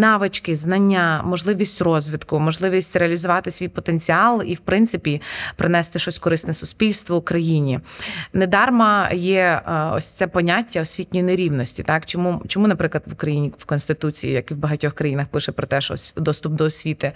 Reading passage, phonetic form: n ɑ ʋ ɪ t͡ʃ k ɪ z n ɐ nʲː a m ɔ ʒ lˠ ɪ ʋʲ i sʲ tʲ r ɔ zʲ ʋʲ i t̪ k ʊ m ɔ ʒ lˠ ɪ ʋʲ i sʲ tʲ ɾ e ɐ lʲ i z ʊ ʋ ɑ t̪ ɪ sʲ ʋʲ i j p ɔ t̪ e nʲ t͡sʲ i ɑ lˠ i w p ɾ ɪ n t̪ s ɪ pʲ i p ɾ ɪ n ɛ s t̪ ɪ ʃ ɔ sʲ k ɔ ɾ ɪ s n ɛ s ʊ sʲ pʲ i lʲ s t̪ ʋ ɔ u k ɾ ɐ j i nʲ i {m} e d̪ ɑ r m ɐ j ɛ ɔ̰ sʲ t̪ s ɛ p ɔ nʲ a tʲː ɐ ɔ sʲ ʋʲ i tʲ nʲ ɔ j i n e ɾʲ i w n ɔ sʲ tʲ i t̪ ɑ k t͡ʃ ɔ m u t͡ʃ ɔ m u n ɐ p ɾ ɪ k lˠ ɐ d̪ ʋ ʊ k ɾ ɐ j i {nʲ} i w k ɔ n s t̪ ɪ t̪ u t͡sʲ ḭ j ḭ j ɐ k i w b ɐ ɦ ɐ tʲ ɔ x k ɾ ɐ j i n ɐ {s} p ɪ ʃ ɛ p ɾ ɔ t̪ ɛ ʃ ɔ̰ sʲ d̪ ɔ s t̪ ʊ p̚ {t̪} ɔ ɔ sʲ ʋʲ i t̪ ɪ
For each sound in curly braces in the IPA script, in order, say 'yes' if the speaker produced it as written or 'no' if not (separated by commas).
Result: no, yes, no, no